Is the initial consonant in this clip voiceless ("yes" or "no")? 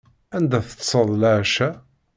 no